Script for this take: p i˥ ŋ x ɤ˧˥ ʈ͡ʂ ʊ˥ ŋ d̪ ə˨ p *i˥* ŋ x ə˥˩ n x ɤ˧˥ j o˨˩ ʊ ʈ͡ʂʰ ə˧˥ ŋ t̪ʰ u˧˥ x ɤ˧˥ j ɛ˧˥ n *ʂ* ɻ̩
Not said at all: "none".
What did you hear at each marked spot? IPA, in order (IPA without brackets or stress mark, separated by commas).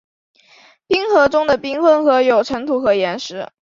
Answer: i˥, ʂ